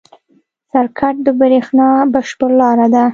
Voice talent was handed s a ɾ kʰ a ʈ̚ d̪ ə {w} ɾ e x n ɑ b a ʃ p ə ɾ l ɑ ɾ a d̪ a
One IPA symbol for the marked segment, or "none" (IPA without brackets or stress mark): b